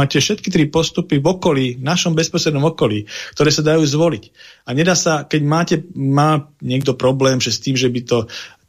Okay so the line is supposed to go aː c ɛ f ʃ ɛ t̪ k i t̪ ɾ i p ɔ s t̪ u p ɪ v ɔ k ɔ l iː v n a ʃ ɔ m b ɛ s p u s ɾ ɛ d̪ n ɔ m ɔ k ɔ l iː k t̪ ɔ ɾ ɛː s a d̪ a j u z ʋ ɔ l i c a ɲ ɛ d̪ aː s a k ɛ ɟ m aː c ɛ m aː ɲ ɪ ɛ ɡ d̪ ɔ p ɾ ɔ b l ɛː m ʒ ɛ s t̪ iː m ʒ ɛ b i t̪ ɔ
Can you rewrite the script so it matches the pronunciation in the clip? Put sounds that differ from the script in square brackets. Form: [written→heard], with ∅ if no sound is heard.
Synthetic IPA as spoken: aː c ɛ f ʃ ɛ t̪ k i t̪ ɾ i p ɔ s t̪ u p [ɪ→i] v ɔ k ɔ l iː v n a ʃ ɔ m b ɛ s p [u→ɔ] s ɾ ɛ d̪ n ɔ m ɔ k ɔ l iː k t̪ ɔ ɾ ɛː s a d̪ a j [u→uː] z ʋ ɔ l i c a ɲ ɛ d̪ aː s a k ɛ ɟ m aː c ɛ m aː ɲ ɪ ɛ ɡ d̪ ɔ p ɾ ɔ b l ɛː m ʒ ɛ s t̪ iː m ʒ ɛ b i t̪ ɔ